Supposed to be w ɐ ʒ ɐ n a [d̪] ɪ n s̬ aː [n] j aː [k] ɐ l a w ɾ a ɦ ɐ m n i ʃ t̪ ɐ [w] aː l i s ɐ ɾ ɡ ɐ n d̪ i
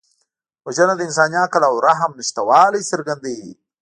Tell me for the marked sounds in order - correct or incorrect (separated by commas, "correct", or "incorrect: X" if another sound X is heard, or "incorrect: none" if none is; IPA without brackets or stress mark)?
correct, correct, correct, correct